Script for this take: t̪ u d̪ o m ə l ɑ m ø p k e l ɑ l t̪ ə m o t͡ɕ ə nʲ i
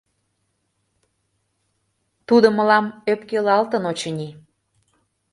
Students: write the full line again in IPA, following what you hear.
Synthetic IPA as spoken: t̪ u d̪ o m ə l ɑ m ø p k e l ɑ l t̪ ə n o t͡ɕ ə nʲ i